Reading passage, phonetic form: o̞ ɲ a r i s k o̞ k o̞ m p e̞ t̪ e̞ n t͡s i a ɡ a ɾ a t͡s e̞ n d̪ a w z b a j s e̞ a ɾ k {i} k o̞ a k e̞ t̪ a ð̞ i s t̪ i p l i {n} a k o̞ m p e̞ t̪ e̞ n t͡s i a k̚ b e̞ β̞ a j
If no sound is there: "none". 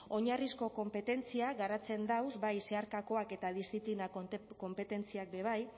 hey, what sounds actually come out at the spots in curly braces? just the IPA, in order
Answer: a, n

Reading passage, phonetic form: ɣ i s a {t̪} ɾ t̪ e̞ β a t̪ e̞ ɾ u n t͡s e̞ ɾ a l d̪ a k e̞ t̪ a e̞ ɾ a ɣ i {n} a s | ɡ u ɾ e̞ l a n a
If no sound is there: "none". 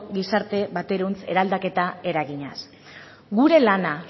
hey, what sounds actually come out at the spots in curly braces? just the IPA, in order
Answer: none, ɲ

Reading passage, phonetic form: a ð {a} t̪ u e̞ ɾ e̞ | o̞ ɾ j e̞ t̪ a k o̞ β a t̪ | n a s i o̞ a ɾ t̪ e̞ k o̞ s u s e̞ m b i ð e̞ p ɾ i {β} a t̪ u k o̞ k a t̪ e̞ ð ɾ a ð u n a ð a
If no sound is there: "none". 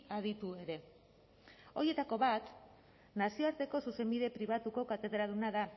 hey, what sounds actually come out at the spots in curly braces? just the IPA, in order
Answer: i, β

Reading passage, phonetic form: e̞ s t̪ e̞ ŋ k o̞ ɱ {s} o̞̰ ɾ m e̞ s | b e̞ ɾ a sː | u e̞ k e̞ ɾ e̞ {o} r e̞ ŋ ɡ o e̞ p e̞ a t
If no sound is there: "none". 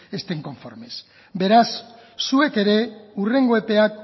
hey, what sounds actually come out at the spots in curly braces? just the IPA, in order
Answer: f, u

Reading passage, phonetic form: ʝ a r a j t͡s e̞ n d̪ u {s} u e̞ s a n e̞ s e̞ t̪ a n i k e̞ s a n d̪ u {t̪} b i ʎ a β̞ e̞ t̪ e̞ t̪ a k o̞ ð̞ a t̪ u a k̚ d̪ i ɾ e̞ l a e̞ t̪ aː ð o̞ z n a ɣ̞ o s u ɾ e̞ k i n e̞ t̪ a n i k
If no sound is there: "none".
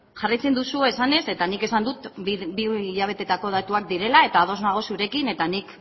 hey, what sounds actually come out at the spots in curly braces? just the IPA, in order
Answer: s, t̪

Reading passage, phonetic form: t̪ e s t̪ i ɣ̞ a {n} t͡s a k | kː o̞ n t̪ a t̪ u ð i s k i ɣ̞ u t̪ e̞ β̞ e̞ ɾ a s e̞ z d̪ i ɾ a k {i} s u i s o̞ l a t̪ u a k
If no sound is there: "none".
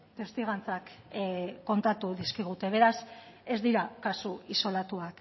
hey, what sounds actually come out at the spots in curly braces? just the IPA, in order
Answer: n, a

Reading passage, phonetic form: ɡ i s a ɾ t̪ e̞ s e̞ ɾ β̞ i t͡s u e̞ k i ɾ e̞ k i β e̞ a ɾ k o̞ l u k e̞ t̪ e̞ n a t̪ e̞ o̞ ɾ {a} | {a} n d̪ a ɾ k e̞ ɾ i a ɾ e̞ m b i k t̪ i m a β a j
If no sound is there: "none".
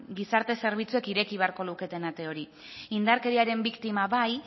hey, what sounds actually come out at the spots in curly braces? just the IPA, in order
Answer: i, i

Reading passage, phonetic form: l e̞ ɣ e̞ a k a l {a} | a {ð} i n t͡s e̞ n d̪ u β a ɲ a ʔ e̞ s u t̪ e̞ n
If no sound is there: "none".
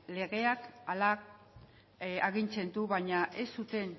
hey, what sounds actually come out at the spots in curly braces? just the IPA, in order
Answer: a, ɣ

